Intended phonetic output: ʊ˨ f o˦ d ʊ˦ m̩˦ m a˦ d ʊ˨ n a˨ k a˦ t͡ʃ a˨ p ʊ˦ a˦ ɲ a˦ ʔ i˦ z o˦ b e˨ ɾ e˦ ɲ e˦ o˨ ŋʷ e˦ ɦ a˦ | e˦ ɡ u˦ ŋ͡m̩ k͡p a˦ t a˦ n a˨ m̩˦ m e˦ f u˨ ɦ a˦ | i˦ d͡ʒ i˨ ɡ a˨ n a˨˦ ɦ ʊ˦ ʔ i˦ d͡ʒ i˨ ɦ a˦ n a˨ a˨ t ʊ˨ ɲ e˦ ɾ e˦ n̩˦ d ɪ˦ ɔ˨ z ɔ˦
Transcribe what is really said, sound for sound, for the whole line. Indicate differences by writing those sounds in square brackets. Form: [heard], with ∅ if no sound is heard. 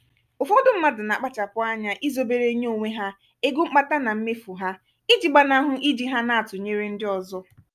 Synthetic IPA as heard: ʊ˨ f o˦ d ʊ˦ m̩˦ m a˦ d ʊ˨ n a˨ [k͡p] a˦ t͡ʃ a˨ p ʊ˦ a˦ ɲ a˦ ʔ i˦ z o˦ b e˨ ɾ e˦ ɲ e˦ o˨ ŋʷ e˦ ɦ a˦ | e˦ ɡ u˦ ŋ͡m̩ k͡p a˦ t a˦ n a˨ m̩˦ m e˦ f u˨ ɦ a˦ | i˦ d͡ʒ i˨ [ɡ͡b] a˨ n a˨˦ ɦ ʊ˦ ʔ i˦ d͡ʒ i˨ ɦ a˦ n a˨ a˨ t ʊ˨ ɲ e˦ ɾ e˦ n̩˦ d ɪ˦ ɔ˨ z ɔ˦